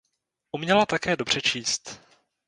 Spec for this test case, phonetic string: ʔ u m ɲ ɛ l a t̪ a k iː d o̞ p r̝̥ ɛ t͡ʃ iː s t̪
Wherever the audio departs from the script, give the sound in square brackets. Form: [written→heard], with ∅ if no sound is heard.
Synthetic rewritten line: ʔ u m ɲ ɛ l a t̪ a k [iː→ɛː] d o̞ [p→b] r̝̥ ɛ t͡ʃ iː s t̪